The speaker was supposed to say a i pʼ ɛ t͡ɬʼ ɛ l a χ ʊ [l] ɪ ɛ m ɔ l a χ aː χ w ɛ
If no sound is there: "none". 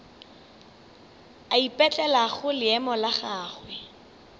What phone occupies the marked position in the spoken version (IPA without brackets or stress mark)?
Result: l